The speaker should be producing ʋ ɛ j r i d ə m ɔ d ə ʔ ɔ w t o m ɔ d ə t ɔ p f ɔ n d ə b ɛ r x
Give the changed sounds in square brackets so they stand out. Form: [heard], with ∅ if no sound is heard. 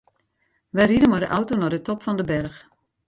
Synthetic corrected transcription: ʋ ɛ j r i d ə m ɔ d ə ʔ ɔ w t o [n] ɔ d ə t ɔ p f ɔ n d ə b ɛ r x

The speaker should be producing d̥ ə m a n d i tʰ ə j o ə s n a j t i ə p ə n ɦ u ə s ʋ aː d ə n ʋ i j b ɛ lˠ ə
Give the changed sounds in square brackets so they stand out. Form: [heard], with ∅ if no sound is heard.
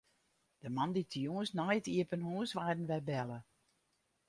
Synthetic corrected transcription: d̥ ə m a n d i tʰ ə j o ə s n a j t i ə p ə n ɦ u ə s ʋ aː d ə n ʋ [ɛ] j b ɛ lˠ ə

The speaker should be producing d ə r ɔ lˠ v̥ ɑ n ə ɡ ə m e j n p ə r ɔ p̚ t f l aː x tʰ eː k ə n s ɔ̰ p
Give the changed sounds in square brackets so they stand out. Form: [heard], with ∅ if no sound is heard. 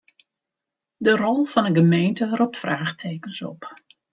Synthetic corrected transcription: d ə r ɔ lˠ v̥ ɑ n ə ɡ ə m e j n [t] ə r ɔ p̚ t f [r] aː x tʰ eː k ə n s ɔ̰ p

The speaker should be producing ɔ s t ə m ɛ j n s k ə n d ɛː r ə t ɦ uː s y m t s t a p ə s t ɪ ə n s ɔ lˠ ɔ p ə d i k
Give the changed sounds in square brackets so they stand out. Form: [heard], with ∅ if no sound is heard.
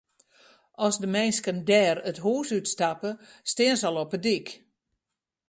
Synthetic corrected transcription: ɔ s [d] ə m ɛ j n s k ə n d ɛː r ə t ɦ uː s y [∅] t s t a p ə s t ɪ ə n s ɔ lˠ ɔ p ə d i k

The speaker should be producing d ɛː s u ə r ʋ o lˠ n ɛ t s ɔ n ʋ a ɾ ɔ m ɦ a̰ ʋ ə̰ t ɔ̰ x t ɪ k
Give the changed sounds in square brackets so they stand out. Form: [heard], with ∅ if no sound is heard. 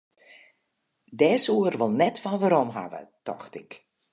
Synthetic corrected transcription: d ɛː s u ə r ʋ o lˠ n ɛ t [f] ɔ n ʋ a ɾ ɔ m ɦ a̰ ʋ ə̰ t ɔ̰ x t ɪ k

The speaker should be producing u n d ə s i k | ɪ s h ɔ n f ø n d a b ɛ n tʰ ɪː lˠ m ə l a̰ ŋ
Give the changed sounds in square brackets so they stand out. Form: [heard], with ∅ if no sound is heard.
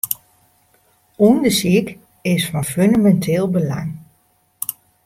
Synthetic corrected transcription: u n d ə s i k | ɪ s [f] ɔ n f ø n d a [m] ɛ n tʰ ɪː lˠ [b] ə l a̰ ŋ

